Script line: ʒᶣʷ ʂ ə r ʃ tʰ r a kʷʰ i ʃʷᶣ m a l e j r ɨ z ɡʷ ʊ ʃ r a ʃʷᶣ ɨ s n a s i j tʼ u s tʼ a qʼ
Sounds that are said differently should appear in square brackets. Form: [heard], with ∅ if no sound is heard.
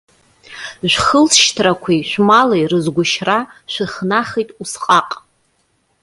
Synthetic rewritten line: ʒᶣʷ [χ] ə [l] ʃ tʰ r a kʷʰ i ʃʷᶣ m a l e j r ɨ z ɡʷ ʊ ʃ r a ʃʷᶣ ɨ [χ] n a [χ] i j tʼ u s [qʼ] a qʼ